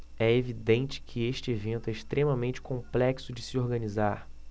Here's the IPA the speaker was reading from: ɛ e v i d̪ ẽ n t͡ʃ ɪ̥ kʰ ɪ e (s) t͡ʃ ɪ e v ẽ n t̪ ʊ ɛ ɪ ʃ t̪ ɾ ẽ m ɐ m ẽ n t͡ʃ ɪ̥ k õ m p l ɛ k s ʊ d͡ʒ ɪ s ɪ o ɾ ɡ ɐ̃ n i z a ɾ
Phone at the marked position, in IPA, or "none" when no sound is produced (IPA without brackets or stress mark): ʃ